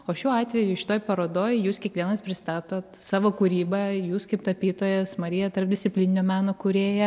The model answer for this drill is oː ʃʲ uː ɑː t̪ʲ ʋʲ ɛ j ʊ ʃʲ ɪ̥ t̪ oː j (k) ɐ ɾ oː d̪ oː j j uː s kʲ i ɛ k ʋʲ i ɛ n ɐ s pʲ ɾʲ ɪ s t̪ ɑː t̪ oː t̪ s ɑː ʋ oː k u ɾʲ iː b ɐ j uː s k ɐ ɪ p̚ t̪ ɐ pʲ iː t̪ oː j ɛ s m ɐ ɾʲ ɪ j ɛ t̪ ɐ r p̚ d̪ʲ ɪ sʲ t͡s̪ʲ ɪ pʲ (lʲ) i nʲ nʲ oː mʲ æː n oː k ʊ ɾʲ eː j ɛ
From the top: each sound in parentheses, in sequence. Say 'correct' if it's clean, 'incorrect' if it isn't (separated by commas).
incorrect, correct